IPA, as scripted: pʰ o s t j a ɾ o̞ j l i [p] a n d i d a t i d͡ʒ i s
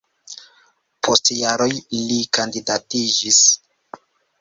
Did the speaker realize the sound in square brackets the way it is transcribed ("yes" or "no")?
no